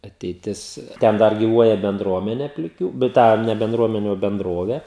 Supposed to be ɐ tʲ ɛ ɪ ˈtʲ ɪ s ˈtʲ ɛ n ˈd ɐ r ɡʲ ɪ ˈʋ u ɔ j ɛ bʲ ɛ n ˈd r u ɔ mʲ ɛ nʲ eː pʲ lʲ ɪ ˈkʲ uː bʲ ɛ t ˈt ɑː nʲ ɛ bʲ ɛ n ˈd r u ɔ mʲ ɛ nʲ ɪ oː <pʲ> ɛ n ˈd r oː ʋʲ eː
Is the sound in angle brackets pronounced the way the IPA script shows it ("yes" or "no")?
no